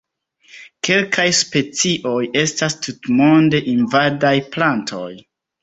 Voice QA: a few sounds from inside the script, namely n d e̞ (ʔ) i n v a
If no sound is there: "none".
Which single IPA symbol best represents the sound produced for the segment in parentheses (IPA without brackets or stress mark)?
ʔ